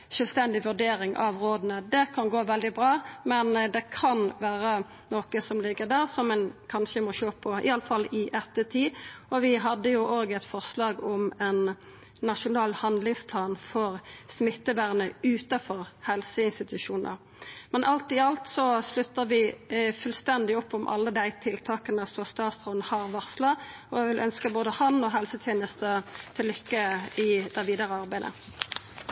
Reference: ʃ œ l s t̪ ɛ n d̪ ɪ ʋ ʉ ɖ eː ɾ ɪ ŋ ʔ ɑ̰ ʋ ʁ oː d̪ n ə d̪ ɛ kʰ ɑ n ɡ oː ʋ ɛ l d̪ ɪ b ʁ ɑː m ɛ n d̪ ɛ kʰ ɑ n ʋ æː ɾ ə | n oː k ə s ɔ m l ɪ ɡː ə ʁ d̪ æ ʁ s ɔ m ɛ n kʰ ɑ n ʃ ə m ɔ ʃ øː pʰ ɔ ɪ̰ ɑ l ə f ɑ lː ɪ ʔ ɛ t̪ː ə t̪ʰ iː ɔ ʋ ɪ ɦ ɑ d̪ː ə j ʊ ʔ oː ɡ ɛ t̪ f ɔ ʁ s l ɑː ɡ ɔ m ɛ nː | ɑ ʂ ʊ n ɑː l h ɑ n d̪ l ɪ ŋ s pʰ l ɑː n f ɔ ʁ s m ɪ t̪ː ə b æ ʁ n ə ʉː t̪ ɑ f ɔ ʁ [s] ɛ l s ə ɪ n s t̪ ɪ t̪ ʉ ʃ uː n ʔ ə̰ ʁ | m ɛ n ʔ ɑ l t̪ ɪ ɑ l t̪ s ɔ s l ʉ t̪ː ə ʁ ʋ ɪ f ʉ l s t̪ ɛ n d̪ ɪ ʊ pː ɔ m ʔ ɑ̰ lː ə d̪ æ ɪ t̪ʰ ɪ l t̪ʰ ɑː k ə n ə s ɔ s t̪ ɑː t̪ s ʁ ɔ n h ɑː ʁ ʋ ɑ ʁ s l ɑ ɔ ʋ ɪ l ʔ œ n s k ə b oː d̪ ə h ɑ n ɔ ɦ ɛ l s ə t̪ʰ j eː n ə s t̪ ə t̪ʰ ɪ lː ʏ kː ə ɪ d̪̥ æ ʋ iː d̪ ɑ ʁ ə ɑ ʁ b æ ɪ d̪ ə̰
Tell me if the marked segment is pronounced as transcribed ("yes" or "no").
no